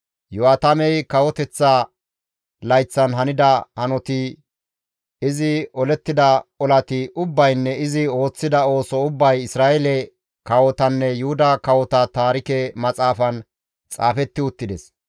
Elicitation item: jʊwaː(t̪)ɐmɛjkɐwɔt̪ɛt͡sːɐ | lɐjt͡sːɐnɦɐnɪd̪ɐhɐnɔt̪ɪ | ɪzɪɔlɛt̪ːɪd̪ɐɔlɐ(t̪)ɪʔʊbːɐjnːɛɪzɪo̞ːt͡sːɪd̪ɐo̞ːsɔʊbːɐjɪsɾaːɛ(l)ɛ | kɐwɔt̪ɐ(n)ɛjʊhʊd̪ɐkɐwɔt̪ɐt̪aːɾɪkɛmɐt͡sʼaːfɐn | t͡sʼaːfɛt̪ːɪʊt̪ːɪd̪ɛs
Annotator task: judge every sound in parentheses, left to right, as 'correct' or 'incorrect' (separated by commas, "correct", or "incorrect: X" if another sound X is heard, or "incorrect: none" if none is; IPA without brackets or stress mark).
correct, correct, correct, incorrect: nː